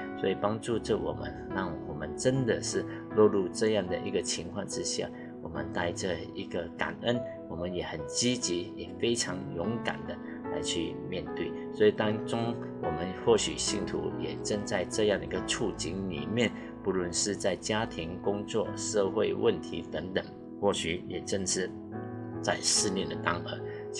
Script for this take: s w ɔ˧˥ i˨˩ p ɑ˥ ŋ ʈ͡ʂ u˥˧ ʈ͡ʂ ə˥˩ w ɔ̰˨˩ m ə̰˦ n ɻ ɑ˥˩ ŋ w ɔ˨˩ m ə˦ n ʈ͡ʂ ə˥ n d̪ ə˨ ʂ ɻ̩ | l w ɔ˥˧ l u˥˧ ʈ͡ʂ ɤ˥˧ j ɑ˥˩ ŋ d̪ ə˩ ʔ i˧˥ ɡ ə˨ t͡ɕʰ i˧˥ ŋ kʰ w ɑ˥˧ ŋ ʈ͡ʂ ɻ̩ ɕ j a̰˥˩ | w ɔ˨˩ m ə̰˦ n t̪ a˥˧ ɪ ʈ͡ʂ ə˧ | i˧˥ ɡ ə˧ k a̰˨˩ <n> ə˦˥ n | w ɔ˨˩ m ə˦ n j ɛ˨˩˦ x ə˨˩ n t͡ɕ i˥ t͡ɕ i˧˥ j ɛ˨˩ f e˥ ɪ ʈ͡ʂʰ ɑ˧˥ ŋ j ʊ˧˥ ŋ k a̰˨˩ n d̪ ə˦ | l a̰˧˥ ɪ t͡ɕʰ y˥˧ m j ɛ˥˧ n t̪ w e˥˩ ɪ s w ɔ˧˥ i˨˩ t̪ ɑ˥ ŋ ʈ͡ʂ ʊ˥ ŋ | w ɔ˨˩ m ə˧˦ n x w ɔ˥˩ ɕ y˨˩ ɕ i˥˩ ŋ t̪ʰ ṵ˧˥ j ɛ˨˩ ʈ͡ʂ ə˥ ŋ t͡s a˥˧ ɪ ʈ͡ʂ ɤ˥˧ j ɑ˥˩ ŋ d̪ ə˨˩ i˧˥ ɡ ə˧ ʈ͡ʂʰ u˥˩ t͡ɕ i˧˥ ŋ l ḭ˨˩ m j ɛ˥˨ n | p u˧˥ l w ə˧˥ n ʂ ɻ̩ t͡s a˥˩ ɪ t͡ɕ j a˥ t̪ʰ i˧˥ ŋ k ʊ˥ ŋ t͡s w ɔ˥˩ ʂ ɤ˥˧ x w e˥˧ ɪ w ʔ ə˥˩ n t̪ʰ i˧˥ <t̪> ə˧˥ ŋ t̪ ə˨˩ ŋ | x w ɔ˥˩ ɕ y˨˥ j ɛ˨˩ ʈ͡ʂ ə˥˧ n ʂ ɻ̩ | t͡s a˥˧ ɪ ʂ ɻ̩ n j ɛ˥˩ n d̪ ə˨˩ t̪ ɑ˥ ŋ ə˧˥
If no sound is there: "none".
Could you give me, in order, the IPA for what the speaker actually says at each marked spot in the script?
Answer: n, t̪

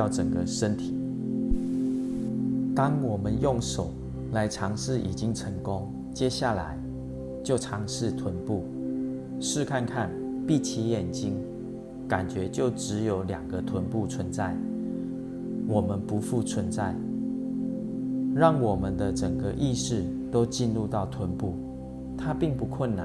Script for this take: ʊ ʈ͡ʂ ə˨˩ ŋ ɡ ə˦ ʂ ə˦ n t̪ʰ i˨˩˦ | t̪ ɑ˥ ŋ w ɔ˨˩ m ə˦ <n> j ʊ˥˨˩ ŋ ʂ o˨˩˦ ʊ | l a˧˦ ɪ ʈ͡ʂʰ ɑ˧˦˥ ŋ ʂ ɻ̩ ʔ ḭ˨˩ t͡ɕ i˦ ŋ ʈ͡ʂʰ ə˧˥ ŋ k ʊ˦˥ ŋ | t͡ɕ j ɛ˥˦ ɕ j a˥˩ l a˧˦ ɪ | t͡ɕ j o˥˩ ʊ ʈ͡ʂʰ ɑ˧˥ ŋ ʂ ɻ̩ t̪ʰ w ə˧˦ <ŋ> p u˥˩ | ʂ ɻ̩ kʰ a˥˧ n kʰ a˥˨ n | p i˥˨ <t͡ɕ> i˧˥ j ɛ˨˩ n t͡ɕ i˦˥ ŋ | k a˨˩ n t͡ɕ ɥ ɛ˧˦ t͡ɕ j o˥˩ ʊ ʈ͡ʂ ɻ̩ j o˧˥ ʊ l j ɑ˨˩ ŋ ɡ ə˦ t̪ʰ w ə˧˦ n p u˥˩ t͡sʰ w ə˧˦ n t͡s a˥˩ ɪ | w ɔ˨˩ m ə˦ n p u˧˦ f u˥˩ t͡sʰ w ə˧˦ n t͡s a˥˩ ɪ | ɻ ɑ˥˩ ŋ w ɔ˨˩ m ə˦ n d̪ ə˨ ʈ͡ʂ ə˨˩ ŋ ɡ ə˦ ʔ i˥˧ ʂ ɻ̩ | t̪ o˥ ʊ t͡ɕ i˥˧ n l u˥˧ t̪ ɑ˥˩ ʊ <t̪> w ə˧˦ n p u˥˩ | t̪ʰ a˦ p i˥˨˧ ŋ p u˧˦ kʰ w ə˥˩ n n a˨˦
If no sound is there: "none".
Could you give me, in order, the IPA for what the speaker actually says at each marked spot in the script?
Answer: n, n, t͡ɕʰ, t̪ʰ

